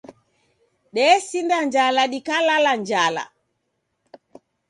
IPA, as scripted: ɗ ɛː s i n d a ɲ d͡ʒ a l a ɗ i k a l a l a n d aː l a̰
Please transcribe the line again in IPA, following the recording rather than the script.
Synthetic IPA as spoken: ɗ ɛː s i n d a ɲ d͡ʒ a l a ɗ i k a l a l a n d͡ʒ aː l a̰